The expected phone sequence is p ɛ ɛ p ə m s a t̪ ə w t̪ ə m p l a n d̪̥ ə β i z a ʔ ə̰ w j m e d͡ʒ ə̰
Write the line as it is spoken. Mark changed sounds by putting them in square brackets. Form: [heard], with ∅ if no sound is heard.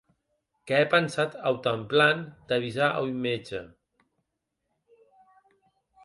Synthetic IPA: [k] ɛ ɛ p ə [n] s a t̪ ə w t̪ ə m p l a n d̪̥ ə β i z a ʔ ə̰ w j m e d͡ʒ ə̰